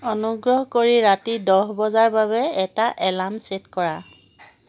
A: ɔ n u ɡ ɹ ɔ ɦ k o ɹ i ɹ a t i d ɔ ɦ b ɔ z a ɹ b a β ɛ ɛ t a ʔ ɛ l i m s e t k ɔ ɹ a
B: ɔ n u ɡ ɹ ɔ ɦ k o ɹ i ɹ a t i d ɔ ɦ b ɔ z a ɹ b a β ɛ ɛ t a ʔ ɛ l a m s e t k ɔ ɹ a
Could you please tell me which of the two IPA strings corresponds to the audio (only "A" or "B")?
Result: B